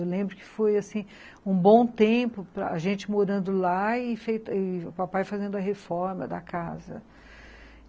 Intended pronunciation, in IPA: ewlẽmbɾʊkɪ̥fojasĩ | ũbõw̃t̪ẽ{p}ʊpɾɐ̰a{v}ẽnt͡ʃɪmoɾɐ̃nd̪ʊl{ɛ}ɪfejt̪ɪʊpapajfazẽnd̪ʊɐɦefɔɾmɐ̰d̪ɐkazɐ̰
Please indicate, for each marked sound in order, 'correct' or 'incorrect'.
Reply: correct, incorrect: ʒ, incorrect: a

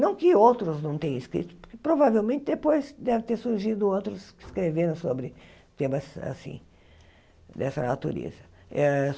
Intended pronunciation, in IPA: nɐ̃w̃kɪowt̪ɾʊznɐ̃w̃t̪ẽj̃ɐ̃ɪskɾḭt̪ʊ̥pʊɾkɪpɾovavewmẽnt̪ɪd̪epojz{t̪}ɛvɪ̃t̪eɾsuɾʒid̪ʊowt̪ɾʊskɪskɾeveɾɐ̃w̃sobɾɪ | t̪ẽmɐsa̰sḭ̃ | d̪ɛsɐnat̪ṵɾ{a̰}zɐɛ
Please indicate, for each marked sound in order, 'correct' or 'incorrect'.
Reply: incorrect: d̪, incorrect: ḛ

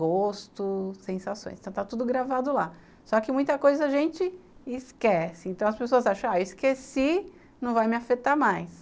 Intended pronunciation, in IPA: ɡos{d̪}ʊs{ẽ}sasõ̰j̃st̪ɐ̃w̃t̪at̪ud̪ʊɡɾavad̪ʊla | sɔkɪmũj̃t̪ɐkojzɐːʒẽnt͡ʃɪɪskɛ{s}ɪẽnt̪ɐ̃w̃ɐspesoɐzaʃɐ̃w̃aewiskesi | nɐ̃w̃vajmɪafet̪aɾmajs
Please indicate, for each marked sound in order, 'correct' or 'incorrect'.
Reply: incorrect: t̪, correct, correct

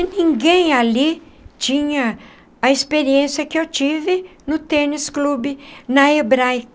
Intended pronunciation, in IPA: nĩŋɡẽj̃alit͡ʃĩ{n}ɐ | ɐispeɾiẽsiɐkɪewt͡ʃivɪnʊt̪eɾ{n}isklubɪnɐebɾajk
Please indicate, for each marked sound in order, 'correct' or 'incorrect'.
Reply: incorrect: ɲ, correct

